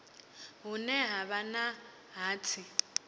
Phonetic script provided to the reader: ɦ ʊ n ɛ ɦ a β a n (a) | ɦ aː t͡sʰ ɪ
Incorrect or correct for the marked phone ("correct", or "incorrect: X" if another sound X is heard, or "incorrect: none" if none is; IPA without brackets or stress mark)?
correct